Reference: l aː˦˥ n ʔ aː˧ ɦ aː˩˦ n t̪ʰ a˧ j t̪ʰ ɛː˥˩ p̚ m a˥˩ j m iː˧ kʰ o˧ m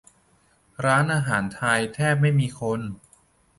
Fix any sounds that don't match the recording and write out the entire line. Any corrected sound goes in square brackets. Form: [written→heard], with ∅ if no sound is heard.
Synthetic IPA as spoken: [l→ɾ] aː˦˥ n ʔ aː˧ ɦ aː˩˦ n t̪ʰ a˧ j t̪ʰ ɛː˥˩ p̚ m a˥˩ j m iː˧ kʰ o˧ [m→n]